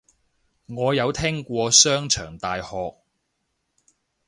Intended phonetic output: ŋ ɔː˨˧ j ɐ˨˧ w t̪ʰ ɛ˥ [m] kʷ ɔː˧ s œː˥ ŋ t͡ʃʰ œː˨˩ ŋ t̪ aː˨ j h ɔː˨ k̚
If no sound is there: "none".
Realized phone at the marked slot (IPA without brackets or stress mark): ŋ